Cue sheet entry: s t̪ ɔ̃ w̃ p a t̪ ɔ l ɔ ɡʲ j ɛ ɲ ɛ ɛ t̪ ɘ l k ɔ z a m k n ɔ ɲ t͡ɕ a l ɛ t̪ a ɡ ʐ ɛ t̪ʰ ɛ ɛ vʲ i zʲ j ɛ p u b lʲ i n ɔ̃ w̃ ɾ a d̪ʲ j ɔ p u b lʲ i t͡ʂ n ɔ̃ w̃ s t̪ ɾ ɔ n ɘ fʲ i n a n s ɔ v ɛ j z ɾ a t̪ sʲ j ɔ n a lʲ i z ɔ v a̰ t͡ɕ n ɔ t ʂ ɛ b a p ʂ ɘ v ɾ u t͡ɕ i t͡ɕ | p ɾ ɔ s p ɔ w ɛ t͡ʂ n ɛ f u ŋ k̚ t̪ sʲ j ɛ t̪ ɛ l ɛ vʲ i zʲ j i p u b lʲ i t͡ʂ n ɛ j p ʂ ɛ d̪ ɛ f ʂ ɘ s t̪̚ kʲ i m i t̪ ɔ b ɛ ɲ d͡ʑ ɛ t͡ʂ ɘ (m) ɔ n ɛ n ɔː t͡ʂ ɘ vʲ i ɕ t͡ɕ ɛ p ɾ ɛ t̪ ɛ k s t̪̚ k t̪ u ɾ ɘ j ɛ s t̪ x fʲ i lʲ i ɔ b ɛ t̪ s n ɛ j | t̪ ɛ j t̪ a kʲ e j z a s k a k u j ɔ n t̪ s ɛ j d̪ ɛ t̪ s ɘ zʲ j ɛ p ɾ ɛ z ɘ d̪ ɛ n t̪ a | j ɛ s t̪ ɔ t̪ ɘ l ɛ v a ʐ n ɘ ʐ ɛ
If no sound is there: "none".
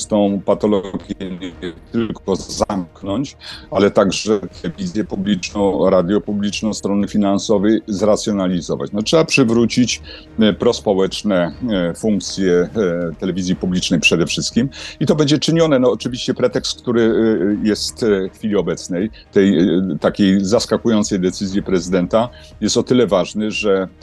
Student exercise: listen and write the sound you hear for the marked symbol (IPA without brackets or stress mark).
ɲ